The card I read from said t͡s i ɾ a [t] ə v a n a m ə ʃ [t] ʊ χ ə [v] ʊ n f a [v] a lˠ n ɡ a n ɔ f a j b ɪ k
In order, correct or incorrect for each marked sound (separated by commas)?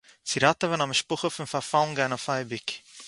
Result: correct, incorrect, incorrect, incorrect